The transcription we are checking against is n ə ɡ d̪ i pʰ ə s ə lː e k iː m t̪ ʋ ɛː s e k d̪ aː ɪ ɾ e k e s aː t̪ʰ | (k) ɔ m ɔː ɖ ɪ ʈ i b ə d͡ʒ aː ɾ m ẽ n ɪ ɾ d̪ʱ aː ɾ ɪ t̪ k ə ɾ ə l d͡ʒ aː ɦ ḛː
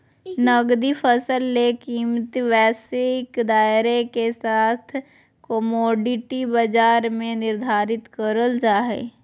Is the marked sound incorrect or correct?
correct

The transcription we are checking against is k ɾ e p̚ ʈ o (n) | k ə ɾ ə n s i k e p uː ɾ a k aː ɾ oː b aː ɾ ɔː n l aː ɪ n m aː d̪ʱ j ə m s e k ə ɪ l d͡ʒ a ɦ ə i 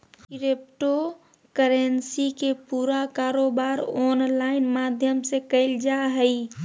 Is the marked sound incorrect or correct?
incorrect: none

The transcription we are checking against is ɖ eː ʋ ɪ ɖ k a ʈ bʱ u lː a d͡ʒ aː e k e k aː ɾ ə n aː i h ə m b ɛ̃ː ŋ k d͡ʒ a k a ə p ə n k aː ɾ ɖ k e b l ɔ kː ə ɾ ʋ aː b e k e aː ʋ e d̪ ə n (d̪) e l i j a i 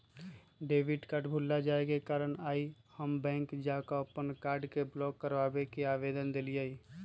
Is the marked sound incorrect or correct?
correct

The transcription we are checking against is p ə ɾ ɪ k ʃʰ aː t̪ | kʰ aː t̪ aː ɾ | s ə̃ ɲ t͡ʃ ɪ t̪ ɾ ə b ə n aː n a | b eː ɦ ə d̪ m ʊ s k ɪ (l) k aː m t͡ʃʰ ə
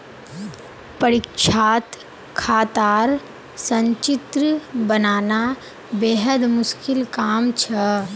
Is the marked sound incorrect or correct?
correct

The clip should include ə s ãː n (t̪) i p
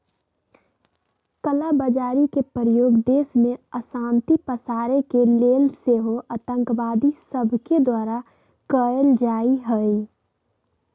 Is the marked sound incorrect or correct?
correct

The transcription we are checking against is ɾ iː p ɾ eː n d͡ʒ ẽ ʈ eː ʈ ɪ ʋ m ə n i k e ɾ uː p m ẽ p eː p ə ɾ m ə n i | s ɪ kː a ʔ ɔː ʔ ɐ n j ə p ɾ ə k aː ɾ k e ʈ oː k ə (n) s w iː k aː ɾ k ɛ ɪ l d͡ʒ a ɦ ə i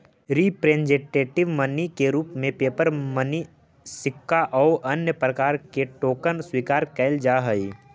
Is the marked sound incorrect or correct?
correct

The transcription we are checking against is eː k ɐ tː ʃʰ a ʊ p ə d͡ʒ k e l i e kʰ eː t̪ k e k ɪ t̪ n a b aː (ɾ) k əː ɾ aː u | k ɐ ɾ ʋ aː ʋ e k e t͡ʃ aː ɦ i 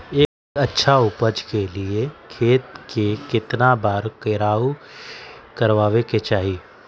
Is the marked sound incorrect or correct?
correct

